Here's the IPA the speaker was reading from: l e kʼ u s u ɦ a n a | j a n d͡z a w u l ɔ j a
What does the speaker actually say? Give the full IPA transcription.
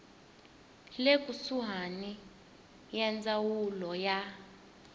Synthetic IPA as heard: l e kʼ u s u ɦ a n i | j ɛ n d͡z a w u l ɔ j a